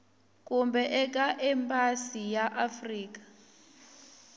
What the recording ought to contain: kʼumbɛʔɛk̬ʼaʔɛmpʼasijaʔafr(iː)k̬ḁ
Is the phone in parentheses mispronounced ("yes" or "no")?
no